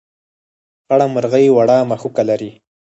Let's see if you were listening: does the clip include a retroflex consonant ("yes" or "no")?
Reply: yes